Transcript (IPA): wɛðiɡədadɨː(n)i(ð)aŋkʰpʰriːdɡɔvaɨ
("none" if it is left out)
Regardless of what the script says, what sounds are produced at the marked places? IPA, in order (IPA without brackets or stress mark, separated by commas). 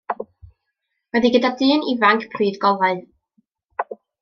n, v